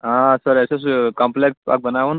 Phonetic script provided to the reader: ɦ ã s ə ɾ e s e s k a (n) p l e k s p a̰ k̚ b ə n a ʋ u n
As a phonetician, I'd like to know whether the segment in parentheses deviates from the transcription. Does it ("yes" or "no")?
yes